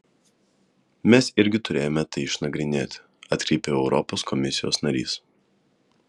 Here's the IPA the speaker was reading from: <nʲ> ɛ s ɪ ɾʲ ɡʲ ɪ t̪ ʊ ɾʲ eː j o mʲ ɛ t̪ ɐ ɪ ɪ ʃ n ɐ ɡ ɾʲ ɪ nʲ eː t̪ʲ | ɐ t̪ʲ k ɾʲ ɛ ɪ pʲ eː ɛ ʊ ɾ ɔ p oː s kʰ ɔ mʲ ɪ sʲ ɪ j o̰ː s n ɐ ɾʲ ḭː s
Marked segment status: incorrect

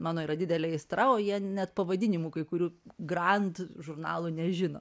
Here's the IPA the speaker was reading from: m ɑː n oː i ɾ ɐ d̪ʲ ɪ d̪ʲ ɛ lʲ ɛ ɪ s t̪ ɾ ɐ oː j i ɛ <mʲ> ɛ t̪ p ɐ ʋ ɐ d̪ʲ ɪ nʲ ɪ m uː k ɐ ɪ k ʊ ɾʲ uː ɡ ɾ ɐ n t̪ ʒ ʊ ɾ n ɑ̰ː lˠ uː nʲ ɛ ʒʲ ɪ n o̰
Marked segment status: incorrect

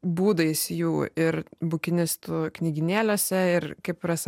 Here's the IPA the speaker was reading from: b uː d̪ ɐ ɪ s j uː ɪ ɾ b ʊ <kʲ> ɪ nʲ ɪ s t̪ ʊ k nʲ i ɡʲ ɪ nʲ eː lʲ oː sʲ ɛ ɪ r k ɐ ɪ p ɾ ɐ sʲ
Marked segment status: correct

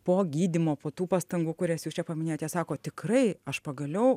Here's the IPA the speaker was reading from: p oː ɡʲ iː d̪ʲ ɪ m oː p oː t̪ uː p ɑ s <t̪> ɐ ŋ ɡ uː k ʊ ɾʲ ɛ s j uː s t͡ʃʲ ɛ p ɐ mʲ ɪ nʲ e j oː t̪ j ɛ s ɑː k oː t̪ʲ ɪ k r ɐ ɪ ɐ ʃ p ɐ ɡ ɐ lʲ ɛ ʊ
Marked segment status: correct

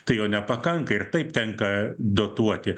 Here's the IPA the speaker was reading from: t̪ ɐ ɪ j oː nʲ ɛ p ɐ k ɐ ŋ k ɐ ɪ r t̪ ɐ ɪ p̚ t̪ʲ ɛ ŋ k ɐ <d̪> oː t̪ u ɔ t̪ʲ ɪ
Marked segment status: correct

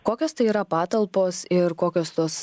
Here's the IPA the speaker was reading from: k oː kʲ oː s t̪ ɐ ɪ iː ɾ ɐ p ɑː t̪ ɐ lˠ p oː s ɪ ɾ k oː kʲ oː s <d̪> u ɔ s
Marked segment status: incorrect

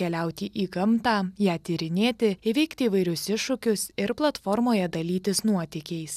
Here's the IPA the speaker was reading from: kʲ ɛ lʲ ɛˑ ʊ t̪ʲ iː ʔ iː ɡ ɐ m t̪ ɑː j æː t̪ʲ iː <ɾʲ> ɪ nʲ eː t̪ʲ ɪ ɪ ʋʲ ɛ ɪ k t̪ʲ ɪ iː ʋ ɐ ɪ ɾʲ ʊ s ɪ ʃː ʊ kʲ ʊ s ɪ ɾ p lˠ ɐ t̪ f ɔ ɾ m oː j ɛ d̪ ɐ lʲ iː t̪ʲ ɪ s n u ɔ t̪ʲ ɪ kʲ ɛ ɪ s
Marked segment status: correct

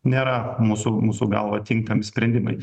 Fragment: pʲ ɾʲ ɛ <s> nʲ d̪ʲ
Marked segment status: incorrect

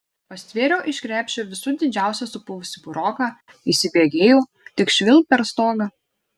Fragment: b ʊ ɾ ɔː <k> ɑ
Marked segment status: correct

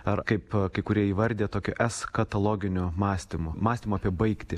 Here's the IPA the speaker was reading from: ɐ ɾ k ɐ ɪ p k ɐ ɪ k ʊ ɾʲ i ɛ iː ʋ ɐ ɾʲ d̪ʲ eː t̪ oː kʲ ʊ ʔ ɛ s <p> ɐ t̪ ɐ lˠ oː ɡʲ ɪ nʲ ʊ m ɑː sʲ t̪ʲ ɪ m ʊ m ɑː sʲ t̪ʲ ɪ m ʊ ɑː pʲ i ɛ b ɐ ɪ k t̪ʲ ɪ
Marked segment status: incorrect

